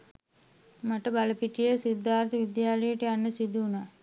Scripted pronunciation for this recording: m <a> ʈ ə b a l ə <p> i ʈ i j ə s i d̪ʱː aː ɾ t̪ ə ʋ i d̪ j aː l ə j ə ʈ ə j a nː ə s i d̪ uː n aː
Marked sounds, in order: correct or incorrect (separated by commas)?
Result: correct, correct